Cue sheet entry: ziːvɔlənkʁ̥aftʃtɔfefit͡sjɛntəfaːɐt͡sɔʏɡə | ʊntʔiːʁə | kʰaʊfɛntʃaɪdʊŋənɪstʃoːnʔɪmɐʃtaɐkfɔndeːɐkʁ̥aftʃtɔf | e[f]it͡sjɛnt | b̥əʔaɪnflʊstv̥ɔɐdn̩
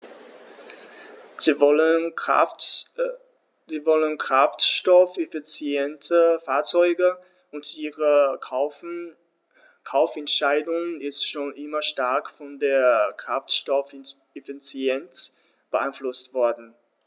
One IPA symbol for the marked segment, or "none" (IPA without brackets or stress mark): f